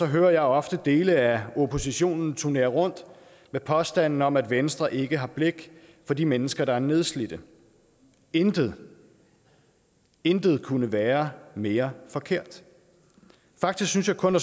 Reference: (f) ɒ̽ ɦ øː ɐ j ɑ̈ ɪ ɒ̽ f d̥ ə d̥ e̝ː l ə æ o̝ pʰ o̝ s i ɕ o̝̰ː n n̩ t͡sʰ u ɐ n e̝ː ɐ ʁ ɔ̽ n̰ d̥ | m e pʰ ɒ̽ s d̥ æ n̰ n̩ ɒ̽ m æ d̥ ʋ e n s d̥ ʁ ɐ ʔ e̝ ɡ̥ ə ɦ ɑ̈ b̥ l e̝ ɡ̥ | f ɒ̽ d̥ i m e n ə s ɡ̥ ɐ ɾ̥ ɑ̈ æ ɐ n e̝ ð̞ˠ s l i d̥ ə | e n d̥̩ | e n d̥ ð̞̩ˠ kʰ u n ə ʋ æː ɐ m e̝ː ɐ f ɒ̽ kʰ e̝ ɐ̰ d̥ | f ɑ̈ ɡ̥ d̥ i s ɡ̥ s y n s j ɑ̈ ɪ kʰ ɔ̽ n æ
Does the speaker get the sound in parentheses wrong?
yes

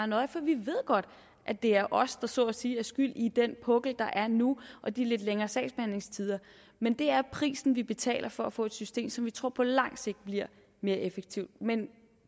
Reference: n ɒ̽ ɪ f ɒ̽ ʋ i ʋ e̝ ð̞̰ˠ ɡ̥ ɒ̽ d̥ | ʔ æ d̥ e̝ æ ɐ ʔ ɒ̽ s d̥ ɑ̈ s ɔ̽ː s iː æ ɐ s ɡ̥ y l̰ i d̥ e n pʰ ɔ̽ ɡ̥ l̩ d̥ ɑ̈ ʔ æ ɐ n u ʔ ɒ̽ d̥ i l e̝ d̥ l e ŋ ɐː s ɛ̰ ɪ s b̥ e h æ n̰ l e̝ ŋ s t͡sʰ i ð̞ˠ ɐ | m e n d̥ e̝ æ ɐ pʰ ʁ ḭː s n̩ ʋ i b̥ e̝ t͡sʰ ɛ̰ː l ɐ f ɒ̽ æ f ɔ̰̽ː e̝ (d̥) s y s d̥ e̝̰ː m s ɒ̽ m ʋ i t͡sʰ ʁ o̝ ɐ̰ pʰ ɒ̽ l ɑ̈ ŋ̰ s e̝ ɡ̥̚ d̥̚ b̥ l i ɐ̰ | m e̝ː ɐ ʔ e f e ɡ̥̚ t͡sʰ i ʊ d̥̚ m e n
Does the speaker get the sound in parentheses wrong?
no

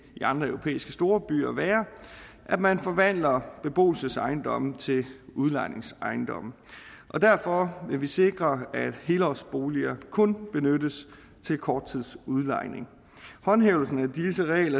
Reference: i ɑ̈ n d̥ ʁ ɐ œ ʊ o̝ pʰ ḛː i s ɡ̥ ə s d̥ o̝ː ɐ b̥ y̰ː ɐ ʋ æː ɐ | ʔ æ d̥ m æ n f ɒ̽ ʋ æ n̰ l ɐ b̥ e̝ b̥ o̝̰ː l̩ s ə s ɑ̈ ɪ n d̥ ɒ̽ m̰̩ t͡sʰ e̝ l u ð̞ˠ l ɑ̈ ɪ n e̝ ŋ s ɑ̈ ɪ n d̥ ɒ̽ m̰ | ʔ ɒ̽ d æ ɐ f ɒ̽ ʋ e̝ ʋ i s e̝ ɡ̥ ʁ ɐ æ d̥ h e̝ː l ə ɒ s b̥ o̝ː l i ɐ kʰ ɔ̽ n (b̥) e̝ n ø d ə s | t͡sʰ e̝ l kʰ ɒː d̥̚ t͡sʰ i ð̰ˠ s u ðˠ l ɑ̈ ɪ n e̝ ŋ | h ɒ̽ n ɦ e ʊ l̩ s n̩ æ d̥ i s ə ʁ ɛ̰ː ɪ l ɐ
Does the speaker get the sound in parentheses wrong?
no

